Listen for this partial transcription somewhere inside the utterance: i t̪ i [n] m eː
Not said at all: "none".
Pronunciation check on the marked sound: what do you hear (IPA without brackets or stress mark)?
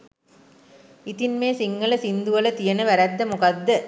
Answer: n